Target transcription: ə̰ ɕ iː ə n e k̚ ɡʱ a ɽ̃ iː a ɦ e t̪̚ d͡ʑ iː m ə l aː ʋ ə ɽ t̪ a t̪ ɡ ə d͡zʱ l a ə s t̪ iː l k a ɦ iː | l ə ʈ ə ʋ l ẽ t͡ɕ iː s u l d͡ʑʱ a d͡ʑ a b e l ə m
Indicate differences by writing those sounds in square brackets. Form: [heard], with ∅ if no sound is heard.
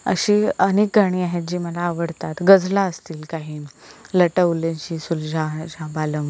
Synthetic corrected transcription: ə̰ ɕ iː ə n e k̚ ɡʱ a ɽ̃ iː a ɦ e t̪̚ d͡ʑ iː m ə l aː ʋ ə ɽ t̪ a t̪ ɡ ə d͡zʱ l a ə s t̪ iː l k a ɦ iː | l ə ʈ ə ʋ l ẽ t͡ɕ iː s u l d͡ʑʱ a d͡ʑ a b [a] l ə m